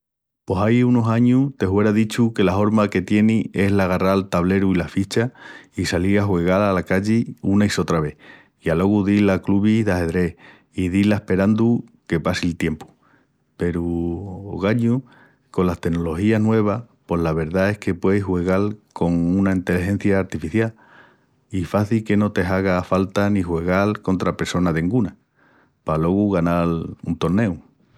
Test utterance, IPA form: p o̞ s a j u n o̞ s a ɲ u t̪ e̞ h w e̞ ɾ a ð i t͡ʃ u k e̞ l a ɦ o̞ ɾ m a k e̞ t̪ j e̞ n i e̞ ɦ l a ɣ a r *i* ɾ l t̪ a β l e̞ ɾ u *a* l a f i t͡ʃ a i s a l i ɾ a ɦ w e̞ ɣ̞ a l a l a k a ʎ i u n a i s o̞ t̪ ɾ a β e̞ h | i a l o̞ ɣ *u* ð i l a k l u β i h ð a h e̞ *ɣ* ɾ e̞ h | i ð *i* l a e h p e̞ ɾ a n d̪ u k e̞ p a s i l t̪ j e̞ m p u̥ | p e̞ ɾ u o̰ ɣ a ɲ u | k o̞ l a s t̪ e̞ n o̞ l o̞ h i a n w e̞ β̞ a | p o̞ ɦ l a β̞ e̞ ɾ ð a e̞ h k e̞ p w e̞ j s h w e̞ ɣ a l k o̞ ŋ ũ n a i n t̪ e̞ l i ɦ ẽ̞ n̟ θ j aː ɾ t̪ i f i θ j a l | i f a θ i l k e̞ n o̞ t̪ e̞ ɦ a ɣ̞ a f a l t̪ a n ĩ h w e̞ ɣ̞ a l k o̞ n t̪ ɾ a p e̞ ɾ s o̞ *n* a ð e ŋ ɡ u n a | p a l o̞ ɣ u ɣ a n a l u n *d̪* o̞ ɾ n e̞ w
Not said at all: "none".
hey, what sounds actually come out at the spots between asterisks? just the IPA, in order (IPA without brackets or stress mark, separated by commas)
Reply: a, i, u, ð, i, n, t̪